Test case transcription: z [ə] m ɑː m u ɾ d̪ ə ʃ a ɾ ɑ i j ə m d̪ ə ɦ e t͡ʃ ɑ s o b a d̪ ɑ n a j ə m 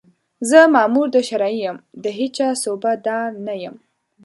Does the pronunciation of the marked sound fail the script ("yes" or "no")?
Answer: no